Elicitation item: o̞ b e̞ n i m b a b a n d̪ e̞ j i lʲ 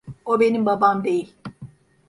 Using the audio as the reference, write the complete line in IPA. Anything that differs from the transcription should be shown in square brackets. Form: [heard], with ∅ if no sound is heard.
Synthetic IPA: o̞ b e̞ n i m b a b a [m] d̪ e̞ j i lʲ